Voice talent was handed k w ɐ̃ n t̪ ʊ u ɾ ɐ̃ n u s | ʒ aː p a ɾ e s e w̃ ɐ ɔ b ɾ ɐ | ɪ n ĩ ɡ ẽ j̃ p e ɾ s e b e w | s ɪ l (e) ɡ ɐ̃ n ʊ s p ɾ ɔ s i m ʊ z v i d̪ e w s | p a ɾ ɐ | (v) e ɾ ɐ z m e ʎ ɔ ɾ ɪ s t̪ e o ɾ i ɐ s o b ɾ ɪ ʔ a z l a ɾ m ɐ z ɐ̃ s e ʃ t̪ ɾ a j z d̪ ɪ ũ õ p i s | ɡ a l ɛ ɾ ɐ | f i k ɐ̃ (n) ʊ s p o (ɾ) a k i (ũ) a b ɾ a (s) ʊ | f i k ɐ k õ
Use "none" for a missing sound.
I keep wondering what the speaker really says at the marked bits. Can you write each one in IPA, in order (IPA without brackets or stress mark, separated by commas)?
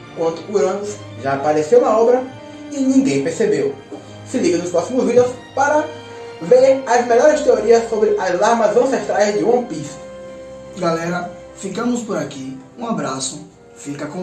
i, v, m, ɾ, ũ, s